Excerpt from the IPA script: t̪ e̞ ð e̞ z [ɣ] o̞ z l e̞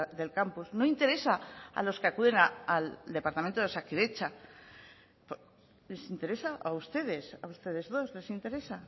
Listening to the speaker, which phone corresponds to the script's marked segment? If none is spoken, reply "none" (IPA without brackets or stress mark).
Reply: ð